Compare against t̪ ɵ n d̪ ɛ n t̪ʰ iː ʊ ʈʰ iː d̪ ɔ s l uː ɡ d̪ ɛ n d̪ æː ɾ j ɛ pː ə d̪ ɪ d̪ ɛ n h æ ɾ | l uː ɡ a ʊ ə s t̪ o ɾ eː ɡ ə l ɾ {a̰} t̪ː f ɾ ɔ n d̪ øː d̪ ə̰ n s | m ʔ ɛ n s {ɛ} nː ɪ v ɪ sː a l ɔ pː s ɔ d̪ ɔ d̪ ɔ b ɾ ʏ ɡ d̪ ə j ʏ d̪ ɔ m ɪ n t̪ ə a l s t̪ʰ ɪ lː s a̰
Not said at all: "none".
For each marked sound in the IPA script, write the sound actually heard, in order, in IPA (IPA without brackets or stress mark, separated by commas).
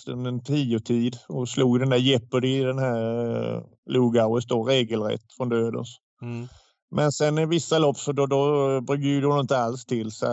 ɛ̰, ɛ